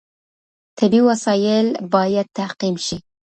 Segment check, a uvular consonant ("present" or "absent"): present